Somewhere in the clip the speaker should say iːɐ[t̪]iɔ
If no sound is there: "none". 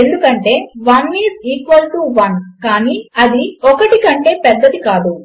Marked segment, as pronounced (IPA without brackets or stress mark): d̪